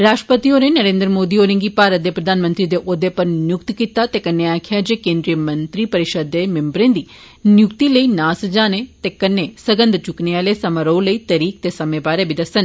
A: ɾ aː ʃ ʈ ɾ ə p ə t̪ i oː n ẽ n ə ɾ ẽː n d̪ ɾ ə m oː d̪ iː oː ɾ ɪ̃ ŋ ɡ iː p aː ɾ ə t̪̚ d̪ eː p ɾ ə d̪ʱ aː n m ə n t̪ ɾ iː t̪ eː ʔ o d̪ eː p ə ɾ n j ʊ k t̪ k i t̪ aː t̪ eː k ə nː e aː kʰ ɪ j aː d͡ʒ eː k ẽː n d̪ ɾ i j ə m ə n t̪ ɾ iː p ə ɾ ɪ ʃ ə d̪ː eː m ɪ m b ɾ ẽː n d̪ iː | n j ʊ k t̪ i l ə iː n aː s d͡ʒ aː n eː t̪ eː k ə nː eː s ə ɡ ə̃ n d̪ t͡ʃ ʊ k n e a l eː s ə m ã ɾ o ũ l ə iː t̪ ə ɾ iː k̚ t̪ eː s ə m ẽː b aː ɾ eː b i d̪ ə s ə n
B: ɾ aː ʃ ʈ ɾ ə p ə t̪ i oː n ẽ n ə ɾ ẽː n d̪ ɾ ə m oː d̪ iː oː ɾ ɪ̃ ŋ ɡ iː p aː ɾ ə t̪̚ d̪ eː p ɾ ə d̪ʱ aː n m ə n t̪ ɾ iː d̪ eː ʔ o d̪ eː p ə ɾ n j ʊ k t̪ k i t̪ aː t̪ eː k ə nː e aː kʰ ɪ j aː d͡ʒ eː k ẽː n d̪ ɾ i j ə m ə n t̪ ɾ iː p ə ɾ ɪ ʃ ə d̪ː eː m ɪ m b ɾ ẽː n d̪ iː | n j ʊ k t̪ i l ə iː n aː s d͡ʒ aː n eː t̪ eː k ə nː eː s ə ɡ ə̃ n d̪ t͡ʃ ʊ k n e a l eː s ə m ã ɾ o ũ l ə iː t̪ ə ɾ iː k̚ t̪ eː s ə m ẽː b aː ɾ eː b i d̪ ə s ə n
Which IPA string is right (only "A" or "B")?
B